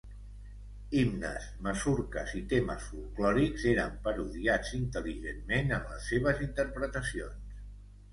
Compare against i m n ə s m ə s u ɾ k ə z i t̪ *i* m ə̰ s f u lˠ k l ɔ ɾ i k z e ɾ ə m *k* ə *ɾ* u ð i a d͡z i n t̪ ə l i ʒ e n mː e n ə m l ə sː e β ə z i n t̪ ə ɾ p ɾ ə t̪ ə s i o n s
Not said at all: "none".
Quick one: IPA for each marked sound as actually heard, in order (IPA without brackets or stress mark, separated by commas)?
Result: e, p, ɾ